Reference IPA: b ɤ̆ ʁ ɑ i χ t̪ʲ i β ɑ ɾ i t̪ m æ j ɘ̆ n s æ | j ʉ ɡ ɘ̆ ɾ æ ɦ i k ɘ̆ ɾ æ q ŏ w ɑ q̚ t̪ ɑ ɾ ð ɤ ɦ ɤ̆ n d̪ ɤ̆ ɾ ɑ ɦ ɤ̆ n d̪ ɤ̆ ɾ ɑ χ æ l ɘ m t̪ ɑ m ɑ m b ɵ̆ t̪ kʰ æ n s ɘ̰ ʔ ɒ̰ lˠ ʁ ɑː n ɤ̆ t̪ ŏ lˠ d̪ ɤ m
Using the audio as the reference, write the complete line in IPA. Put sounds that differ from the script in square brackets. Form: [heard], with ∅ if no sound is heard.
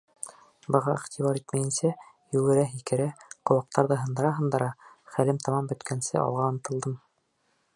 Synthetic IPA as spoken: b ɤ̆ ʁ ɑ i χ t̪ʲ i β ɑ ɾ i t̪ m æ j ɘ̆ n s æ | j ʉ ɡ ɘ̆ ɾ æ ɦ i k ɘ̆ ɾ æ q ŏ w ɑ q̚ t̪ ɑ ɾ ð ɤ ɦ ɤ̆ n d̪ ɤ̆ ɾ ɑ ɦ ɤ̆ n d̪ ɤ̆ ɾ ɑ χ æ l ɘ m t̪ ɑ m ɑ m b ɵ̆ t̪ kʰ æ n s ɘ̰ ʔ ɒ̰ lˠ ʁ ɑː n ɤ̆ t̪ [ɤ̆] lˠ d̪ ɤ m